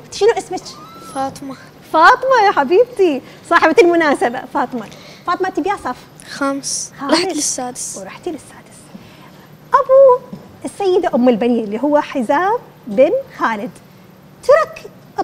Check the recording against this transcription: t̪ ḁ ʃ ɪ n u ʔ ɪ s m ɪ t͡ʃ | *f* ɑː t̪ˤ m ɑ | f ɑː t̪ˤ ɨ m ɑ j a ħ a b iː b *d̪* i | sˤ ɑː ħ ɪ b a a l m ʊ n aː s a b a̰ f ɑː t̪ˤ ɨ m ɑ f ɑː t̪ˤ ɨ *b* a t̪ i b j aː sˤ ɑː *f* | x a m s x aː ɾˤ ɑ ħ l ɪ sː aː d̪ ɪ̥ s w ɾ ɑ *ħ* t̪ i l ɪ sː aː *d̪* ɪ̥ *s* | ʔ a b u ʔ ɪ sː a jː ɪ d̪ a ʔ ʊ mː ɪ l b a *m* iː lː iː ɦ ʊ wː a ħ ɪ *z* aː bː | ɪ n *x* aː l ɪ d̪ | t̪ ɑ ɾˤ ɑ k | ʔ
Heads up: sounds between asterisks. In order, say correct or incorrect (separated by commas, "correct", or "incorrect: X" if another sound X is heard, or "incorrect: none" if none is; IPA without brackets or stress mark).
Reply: correct, incorrect: t̪, incorrect: m, correct, correct, correct, correct, incorrect: n, correct, correct